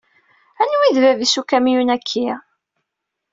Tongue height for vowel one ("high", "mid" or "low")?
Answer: low